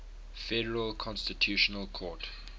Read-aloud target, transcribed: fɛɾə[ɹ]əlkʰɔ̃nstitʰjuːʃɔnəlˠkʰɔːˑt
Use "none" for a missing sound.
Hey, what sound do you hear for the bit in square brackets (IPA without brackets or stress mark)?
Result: ɹ